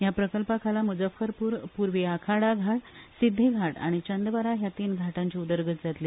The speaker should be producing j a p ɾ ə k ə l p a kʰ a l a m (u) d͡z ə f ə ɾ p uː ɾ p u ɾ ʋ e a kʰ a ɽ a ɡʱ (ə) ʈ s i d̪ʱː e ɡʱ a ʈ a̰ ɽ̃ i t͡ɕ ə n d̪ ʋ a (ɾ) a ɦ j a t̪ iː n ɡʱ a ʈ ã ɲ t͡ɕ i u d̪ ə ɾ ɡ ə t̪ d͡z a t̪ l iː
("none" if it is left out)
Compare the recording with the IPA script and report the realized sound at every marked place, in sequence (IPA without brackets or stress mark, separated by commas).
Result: u, a, ɾ